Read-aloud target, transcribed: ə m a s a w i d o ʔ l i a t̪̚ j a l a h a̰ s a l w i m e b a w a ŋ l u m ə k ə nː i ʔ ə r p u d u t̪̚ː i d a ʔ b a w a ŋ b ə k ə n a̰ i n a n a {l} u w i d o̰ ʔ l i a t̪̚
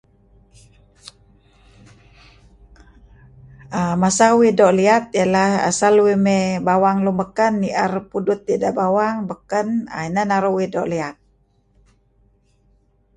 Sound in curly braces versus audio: incorrect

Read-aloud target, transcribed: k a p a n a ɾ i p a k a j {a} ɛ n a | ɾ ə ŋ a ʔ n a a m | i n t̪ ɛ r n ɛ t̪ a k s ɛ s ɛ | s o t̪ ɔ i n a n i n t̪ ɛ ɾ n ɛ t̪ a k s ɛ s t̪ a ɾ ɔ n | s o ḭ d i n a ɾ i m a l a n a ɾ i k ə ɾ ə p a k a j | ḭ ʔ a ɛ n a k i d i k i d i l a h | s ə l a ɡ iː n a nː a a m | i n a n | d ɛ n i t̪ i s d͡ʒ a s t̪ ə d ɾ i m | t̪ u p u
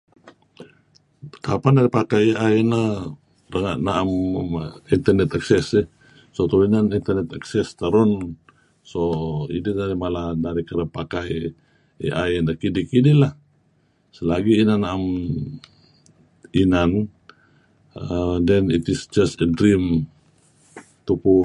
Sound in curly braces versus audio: correct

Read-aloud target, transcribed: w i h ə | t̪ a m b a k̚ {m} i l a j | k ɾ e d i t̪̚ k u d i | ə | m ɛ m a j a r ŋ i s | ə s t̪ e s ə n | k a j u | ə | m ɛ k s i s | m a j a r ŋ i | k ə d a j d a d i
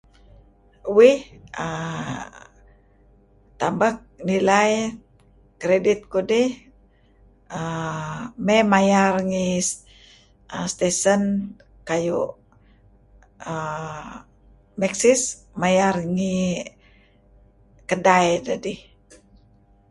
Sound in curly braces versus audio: incorrect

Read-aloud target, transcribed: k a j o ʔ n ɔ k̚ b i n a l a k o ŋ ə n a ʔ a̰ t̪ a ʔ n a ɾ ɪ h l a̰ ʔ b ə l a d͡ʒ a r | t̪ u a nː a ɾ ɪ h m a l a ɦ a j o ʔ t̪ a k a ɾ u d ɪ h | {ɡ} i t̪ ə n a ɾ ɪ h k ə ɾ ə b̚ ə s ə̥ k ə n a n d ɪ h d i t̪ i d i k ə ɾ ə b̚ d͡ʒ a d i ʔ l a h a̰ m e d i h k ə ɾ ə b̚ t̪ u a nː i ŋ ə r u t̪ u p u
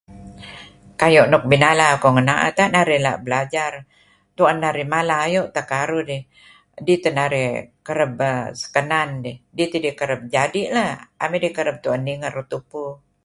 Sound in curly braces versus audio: incorrect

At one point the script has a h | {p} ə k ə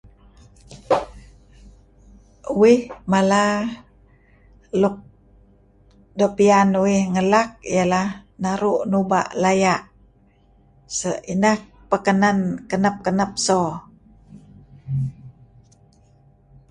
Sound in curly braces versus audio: correct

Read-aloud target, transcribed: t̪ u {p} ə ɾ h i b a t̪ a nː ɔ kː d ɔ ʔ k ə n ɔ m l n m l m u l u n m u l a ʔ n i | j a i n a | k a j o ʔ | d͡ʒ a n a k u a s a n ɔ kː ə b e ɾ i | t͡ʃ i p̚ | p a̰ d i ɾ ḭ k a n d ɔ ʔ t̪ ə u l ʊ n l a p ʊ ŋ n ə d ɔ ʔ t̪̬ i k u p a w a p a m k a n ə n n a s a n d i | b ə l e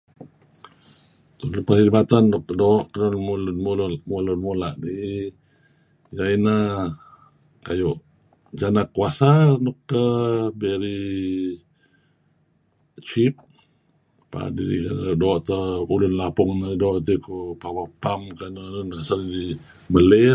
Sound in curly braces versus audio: correct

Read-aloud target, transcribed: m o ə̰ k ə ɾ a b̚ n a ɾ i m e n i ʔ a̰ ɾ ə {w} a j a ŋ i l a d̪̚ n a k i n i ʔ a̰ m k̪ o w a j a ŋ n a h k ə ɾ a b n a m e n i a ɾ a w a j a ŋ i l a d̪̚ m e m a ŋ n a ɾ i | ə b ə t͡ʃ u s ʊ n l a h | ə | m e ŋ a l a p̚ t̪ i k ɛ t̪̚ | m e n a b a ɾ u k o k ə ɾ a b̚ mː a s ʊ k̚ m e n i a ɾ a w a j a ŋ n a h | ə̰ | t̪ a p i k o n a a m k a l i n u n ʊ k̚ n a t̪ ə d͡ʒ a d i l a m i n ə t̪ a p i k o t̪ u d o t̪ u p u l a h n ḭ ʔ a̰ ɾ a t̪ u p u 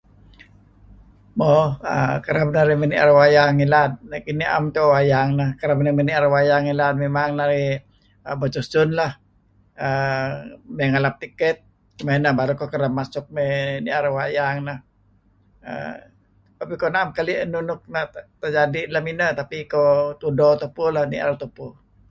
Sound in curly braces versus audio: correct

